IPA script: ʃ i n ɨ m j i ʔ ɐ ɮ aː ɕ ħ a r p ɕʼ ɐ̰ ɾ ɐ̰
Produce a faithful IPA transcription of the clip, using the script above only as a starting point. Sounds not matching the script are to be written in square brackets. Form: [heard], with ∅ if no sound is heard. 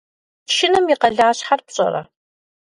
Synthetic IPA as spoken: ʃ [ɪ] n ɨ m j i [q] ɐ ɮ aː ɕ ħ a r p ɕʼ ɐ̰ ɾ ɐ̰